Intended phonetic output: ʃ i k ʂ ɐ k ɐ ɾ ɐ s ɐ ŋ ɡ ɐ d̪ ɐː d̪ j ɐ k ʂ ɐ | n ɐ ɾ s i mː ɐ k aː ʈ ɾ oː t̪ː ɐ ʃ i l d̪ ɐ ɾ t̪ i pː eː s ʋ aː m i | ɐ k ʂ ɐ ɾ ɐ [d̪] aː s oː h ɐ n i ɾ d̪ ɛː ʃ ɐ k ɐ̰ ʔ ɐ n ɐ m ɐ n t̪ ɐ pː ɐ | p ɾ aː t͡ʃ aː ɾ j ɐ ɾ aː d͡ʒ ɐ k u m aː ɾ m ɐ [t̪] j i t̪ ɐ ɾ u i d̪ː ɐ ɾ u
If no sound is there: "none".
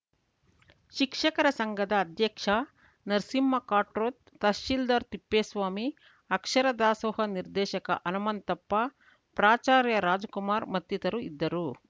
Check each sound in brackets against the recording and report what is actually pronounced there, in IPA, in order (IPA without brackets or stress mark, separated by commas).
d̪, t̪